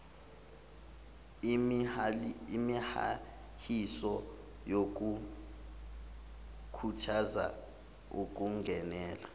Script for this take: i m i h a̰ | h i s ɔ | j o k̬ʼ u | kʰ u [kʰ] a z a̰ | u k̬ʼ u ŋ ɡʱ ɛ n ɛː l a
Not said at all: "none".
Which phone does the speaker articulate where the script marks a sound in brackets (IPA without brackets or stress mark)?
tʰ